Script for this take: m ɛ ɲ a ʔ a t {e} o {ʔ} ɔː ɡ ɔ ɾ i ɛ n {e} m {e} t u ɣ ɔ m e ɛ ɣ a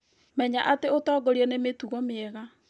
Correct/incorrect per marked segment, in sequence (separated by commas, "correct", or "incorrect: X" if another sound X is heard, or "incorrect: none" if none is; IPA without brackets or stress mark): correct, incorrect: t, correct, correct